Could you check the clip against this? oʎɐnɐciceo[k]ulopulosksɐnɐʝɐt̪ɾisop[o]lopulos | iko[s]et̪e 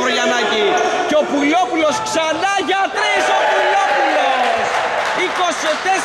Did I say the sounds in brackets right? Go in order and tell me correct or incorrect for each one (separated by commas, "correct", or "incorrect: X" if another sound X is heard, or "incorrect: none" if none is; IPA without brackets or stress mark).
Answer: incorrect: p, incorrect: u, correct